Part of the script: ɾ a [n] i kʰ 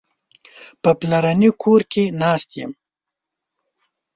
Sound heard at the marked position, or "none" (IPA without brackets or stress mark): n